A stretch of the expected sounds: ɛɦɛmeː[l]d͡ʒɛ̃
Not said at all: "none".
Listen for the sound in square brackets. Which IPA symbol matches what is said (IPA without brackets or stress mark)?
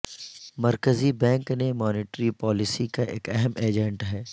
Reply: none